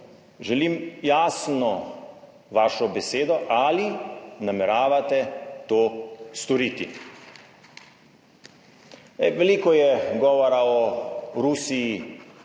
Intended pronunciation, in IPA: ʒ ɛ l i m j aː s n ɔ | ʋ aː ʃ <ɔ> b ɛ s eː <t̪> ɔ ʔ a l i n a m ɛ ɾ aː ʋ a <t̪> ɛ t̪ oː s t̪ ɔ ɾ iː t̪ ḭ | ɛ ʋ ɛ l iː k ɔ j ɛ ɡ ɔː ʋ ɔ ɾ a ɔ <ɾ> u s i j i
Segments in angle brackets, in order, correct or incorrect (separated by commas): correct, incorrect, correct, correct